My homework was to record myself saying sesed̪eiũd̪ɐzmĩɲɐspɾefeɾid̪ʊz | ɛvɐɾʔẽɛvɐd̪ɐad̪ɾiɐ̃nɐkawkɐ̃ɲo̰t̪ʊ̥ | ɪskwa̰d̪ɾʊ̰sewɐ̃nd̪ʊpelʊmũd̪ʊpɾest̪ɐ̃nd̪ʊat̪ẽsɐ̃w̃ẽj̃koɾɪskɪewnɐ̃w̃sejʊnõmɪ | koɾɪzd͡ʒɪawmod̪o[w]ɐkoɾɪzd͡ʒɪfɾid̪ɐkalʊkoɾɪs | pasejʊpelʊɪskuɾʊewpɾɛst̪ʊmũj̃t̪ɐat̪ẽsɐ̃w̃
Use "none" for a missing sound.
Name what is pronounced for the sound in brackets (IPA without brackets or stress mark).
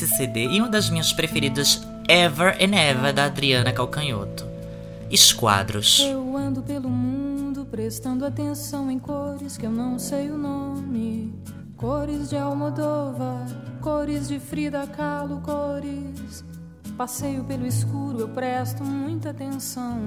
v